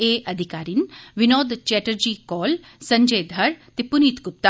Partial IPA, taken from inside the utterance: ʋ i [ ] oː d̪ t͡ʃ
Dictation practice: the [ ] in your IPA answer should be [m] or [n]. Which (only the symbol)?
n